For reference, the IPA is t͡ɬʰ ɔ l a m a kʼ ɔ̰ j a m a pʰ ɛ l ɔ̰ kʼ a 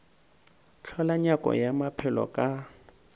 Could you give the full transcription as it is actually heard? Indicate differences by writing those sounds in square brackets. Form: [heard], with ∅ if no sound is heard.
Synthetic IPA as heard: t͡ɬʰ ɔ l a [ɲ] a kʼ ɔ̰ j a m a pʰ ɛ l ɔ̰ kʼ a